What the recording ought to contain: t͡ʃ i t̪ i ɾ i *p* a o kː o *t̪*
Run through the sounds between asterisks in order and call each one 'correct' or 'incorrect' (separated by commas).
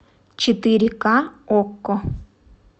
incorrect, incorrect